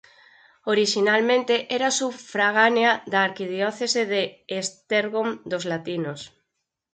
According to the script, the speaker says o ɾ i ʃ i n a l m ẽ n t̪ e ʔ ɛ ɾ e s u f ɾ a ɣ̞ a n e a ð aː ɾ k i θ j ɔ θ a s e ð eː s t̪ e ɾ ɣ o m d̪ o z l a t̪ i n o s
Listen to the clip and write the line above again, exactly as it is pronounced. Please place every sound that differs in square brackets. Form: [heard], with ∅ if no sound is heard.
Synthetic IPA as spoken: o ɾ i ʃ i n a l m ẽ n t̪ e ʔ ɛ ɾ [a] s u f ɾ a ɣ̞ a n e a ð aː ɾ k i [ð] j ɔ θ [e] s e ð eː s t̪ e ɾ ɣ o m d̪ o z l a t̪ i n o s